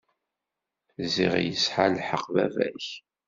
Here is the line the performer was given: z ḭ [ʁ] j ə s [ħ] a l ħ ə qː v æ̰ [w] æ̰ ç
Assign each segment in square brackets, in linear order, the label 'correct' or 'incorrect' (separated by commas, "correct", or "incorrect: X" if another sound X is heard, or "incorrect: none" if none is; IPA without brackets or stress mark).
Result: correct, correct, incorrect: v